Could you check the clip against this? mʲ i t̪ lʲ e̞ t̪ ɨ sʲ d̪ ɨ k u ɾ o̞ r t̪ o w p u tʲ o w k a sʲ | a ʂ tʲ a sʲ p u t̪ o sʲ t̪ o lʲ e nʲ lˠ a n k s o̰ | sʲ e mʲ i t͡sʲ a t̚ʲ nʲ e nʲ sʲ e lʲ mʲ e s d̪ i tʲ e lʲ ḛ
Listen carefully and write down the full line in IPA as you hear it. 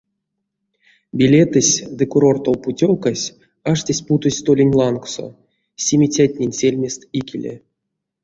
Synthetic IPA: bʲ i lʲ e̞ t̪ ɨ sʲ d̪ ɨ k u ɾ o̞ r t̪ o w p u tʲ o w k a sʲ | a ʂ tʲ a sʲ p u t̪ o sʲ t̪ o lʲ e nʲ lˠ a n k s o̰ | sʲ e mʲ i t͡sʲ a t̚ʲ nʲ e nʲ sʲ e lʲ mʲ e s t̪ i kʲ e lʲ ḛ